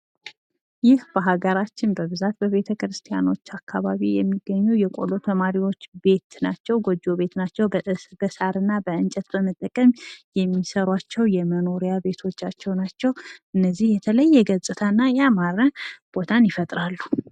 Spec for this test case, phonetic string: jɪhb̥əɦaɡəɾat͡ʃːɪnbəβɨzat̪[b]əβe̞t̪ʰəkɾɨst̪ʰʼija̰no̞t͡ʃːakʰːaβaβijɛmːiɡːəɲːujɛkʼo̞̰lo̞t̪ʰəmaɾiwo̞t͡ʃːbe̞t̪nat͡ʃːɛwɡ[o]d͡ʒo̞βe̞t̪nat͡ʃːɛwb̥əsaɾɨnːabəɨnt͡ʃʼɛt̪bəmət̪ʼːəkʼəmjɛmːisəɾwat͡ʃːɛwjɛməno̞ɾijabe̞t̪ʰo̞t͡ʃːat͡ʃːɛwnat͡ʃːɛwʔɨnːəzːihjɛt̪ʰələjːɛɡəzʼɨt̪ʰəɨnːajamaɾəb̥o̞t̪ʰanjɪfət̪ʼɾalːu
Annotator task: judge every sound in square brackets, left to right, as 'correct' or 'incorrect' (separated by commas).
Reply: correct, correct